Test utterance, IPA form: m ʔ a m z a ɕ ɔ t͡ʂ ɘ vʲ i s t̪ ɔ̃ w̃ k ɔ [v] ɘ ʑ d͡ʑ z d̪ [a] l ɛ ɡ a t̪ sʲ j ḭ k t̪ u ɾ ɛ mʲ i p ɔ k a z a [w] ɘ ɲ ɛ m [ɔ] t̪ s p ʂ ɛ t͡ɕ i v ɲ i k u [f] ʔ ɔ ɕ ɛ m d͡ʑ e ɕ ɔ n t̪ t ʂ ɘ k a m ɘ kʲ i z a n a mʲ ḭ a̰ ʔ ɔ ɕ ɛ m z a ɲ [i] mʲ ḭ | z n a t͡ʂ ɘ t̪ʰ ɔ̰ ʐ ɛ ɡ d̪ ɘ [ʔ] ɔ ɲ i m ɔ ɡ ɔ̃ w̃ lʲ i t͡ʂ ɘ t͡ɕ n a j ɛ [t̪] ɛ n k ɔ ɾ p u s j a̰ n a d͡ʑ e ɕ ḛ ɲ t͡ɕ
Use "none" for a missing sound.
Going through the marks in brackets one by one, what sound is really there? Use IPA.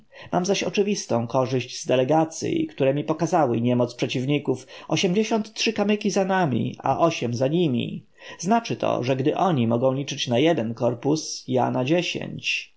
ʐ, ɛ, w, ɔ, f, i, ʔ, d̪

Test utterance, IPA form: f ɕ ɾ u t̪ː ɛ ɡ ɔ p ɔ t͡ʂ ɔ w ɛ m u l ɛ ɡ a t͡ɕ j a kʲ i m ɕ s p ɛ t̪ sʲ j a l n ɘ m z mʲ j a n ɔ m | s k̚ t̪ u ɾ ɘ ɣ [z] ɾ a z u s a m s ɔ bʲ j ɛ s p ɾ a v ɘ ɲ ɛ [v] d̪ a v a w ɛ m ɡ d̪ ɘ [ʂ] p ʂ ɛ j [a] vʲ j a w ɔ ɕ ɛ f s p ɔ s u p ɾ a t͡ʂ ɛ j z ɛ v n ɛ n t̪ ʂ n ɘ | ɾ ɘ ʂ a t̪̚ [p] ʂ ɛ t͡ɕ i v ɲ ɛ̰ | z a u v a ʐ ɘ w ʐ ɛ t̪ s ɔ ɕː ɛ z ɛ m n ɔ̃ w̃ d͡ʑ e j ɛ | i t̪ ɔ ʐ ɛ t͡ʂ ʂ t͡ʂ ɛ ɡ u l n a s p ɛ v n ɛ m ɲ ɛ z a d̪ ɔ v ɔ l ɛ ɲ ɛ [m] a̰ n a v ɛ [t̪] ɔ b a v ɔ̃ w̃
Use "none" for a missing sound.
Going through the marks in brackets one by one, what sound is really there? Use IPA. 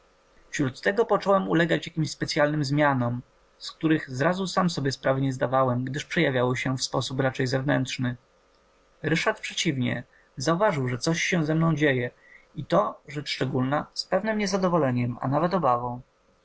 z, z, ʂ, a, p, m, t̪

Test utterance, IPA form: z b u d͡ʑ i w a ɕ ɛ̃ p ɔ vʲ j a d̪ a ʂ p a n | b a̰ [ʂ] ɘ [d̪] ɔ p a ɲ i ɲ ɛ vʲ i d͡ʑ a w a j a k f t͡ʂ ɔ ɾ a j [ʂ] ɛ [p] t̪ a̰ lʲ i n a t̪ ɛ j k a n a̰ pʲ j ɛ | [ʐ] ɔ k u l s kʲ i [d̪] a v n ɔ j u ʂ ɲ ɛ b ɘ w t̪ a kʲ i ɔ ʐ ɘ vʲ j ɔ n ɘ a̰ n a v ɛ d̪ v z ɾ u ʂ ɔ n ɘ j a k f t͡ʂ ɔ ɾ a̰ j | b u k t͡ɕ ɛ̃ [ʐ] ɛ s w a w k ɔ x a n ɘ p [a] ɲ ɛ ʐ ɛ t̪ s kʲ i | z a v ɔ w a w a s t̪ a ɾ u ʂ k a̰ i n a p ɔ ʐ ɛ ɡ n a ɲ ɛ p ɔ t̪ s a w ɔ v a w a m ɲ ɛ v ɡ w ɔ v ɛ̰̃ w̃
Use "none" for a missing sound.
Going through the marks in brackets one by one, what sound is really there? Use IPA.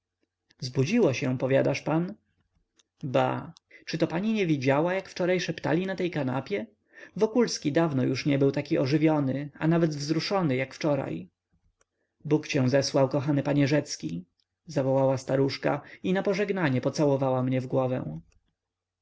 t͡ʂ, t̪, ʂ, p, v, d̪, z, a

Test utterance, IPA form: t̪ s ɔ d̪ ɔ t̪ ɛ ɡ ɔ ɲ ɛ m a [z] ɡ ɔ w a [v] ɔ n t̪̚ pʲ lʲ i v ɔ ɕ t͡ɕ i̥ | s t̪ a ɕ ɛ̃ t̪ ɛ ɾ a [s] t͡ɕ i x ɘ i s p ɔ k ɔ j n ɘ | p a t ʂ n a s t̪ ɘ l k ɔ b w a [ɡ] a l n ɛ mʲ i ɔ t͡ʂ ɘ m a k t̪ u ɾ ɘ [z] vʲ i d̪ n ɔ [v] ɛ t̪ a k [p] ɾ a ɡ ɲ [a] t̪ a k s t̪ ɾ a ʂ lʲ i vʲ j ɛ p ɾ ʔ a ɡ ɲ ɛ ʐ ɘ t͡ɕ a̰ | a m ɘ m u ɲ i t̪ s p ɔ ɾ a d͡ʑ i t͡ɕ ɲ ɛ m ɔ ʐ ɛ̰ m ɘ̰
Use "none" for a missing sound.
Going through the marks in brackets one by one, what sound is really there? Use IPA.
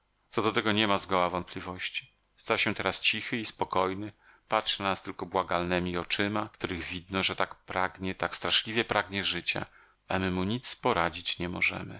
z, v, s, ɡ, ɣ, ʐ, p, ɛ

